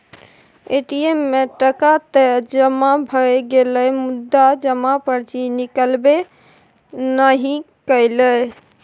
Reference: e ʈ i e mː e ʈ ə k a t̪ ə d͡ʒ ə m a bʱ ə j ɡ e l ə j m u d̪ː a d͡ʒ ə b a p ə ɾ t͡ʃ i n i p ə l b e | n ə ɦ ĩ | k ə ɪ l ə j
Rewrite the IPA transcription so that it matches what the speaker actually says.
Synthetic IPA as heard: e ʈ i e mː e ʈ ə k a t̪ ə d͡ʒ ə m a bʱ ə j ɡ e l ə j m u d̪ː a d͡ʒ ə m a p ə ɾ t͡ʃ i n i k ə l b e | n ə ɦ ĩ | k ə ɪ l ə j